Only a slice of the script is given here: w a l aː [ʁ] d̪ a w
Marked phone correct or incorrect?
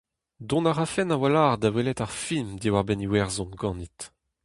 correct